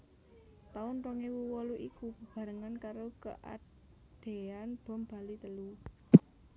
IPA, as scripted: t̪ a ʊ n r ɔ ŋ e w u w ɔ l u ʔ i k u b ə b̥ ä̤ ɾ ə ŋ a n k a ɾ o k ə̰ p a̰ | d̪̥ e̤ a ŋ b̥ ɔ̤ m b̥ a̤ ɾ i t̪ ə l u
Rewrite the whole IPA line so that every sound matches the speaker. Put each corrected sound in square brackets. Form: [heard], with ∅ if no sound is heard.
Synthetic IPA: t̪ a ʊ n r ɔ ŋ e w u w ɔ l u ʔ i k u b ə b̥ ä̤ ɾ ə ŋ a n k a ɾ o k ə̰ [ʔ] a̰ | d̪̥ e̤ a [n] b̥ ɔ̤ m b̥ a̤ [l] i t̪ ə l u